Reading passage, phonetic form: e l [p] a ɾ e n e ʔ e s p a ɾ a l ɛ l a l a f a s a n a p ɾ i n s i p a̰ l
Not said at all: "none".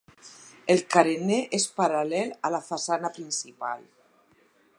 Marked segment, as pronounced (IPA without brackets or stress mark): k